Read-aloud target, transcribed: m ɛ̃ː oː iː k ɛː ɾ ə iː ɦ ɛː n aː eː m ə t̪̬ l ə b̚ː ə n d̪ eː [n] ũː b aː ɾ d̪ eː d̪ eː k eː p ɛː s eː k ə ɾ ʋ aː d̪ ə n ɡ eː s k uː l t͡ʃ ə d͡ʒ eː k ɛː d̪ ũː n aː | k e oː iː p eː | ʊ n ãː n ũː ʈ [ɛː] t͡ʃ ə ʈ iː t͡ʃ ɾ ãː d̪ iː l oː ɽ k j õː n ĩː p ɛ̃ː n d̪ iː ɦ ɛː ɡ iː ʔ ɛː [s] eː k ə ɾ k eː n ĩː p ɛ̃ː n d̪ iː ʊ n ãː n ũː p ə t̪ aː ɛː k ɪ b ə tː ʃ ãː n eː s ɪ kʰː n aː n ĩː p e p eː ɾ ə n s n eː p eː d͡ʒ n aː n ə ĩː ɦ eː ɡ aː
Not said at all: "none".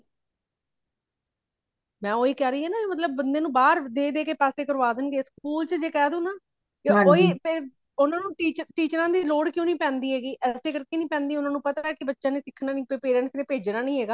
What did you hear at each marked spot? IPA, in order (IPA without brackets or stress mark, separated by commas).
n, iː, s